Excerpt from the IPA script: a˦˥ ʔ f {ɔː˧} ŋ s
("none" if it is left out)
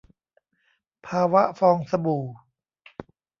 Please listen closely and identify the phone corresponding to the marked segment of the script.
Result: ɔː˧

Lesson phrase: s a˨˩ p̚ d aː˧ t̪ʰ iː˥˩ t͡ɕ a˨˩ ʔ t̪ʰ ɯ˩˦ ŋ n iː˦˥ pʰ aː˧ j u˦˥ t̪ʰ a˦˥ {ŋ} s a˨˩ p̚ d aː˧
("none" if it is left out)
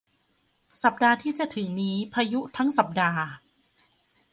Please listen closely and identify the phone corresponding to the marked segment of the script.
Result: ŋ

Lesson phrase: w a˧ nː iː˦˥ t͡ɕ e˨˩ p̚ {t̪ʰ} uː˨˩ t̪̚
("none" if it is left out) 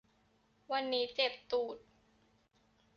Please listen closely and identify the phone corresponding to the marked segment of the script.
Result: t̪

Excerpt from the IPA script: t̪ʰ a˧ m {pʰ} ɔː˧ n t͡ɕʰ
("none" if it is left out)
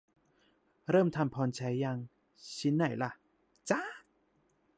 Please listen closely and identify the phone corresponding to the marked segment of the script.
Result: pʰ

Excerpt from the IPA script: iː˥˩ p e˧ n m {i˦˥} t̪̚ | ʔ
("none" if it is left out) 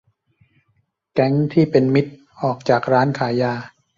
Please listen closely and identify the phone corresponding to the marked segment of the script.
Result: i˦˥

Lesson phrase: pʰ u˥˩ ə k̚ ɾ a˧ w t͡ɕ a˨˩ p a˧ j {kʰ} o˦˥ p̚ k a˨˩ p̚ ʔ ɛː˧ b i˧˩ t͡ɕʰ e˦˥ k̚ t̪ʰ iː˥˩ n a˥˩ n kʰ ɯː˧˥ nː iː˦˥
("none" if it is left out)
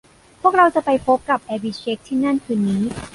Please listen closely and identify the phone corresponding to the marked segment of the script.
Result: pʰ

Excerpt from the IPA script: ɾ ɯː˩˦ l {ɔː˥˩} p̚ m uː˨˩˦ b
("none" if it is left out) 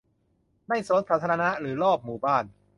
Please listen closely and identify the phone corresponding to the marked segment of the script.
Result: ɔː˥˩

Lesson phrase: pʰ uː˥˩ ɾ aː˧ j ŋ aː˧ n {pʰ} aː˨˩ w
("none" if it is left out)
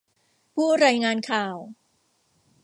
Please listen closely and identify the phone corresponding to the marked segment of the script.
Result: kʰ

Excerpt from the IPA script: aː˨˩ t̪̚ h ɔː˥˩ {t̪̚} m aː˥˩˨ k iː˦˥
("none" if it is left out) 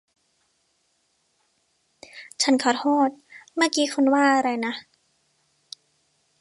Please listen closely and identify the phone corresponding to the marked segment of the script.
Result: t̪̚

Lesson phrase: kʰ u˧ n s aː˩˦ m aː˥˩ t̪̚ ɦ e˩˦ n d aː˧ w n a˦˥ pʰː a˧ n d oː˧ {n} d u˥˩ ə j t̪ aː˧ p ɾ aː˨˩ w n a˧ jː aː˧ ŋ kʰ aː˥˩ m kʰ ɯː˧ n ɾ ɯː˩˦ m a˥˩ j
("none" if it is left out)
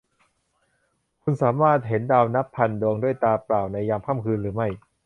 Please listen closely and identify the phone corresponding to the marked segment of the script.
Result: ŋ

